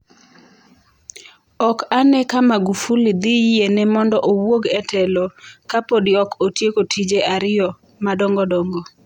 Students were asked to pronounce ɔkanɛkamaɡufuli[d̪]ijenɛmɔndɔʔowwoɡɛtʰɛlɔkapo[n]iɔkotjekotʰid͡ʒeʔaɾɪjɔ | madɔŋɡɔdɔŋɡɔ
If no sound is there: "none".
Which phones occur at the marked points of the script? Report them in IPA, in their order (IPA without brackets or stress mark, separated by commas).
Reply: d̪, d